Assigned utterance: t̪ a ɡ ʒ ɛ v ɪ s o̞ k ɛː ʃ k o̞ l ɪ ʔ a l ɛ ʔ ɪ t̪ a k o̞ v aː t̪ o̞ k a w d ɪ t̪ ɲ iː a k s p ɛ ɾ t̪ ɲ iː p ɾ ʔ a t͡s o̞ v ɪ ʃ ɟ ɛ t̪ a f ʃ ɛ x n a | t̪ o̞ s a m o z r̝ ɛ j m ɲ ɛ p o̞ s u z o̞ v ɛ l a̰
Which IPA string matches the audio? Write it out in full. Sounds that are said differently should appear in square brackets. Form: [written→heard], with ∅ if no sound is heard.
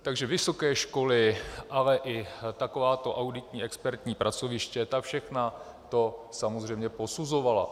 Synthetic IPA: t̪ a ɡ ʒ ɛ v ɪ s o̞ k ɛː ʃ k o̞ l ɪ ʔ a l ɛ ʔ ɪ t̪ a k o̞ v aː t̪ o̞ [k→ʔ] a w d ɪ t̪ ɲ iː [a→ɛ] k s p ɛ ɾ t̪ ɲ iː p ɾ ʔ a t͡s o̞ v ɪ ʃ [ɟ→c] ɛ t̪ a f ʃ ɛ x n a | t̪ o̞ s a m o z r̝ ɛ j m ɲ ɛ p o̞ s u z o̞ v [ɛ→a] l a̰